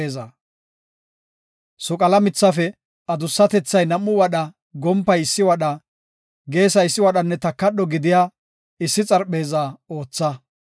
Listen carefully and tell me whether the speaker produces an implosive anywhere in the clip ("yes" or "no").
yes